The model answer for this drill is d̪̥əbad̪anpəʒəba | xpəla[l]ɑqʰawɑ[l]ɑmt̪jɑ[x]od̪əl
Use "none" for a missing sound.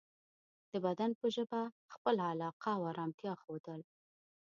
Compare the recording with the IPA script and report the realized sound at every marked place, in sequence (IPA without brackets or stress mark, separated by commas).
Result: l, ɾ, x